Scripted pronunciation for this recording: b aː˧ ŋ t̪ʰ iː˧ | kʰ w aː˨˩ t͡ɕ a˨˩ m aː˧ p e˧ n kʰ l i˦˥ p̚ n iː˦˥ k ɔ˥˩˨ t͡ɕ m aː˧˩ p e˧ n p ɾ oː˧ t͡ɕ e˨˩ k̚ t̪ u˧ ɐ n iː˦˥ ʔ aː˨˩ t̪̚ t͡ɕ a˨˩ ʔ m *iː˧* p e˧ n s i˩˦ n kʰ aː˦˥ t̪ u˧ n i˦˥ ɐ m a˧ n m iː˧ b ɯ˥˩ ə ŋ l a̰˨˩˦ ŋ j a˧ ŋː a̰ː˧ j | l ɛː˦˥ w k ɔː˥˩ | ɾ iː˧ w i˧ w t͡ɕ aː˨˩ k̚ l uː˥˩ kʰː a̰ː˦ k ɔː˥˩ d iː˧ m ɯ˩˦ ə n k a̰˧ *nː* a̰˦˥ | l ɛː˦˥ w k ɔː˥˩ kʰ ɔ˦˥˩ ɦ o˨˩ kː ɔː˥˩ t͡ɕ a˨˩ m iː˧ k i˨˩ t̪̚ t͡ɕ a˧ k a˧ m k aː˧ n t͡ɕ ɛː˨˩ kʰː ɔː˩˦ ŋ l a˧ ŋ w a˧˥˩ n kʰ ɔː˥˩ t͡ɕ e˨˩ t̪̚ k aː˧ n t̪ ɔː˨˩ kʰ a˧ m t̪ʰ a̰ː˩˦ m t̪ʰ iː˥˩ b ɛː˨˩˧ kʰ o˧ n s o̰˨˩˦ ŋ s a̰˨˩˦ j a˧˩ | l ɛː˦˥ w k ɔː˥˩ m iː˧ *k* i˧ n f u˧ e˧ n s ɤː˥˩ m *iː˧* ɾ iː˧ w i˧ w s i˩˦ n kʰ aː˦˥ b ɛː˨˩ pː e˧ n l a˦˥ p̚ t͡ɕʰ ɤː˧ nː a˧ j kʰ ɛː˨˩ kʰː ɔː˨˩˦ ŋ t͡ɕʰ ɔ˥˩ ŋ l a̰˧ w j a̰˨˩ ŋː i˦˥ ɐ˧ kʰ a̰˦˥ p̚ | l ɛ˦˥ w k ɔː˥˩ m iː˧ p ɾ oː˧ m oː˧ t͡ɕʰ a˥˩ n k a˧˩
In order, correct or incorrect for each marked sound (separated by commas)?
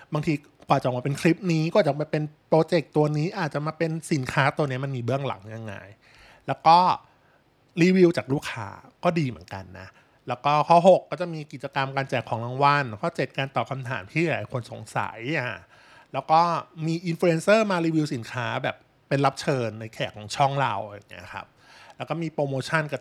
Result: incorrect, correct, incorrect, incorrect